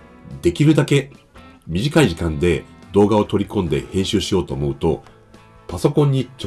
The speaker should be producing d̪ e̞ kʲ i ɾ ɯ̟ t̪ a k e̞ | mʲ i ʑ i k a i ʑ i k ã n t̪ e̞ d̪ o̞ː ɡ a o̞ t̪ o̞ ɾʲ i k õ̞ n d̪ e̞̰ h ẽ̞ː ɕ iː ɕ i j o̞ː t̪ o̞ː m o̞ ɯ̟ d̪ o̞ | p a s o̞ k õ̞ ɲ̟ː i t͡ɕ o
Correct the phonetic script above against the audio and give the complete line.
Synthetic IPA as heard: d̪ e̞ kʲ i ɾ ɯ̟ d̪ a k e̞ | mʲ i ʑ i k a i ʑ i k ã n d̪ e̞ d̪ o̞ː ɡ a o̞ t̪ o̞ ɾʲ i k õ̞ n d̪ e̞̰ h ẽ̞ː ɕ ɨː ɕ i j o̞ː t̪ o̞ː m o̞ ɯ̟ t̪ o̞ | p a s o̞ k õ̞ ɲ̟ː i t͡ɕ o